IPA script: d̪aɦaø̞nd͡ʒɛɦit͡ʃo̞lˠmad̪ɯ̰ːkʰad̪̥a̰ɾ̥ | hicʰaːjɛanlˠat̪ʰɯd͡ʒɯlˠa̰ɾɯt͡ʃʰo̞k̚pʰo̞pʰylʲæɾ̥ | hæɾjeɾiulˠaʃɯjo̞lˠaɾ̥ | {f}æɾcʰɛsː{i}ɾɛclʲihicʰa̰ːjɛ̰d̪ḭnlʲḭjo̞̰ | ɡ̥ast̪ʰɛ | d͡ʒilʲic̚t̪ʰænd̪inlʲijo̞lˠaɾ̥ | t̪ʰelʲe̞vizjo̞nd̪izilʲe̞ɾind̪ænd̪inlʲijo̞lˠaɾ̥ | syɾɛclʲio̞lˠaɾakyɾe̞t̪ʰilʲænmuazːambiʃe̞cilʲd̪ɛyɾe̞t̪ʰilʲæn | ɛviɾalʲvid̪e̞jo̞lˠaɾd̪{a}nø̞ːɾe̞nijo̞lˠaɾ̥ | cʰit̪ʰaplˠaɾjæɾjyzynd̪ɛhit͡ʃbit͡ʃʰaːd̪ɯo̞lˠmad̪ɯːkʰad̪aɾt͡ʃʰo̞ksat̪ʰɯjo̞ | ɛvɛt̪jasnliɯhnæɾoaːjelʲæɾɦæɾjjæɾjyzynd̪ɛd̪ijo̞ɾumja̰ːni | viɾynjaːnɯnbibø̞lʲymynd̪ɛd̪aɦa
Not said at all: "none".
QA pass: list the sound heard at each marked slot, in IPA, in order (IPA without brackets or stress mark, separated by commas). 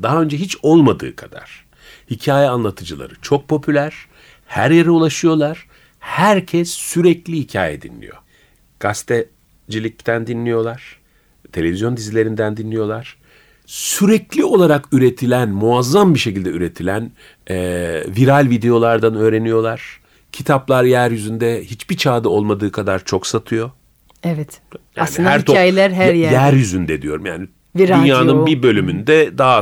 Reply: h, y, a